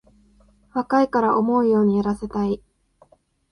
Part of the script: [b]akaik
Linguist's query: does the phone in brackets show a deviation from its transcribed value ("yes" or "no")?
yes